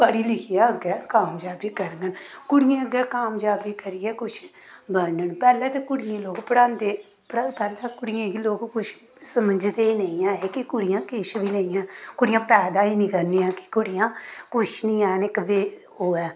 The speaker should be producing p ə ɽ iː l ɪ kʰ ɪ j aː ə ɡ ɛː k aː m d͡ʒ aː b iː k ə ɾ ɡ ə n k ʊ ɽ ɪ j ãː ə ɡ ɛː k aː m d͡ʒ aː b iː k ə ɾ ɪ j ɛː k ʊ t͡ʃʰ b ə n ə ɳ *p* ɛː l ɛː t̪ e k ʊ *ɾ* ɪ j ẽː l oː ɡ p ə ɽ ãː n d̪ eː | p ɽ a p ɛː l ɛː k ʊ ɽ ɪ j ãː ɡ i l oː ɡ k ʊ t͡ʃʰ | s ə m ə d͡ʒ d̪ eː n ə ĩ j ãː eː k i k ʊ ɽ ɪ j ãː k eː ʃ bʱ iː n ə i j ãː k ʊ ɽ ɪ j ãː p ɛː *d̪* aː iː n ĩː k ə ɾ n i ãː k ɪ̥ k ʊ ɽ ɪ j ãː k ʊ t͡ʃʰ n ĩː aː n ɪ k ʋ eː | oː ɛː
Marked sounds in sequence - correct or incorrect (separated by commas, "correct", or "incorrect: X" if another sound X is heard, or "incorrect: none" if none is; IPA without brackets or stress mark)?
correct, incorrect: ɽ, correct